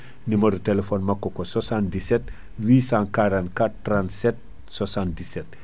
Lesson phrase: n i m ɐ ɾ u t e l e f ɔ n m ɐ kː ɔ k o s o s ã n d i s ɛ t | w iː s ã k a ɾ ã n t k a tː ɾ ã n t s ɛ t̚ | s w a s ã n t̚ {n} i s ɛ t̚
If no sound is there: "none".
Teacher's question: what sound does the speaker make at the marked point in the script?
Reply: d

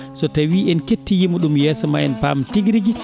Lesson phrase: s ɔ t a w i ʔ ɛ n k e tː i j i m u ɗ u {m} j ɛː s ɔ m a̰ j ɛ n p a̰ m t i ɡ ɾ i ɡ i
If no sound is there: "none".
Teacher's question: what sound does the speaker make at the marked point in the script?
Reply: m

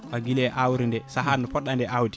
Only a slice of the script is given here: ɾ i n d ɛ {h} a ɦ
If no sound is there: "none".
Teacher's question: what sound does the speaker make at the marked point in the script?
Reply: s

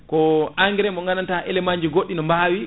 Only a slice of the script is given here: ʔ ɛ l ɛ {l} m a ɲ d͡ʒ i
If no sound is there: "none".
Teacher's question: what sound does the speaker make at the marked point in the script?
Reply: none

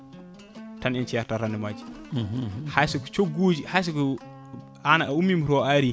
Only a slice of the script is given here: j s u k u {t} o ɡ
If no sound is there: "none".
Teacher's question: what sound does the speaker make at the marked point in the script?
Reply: t͡ʃ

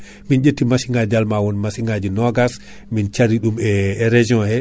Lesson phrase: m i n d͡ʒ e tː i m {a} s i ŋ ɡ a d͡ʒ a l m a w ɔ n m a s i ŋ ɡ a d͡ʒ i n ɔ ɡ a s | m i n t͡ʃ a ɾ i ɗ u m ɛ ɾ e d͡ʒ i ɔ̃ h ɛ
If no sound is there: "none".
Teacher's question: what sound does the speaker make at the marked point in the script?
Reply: a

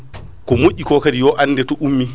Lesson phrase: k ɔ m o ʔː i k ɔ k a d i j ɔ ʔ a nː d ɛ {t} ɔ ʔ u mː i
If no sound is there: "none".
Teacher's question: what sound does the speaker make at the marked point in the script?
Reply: t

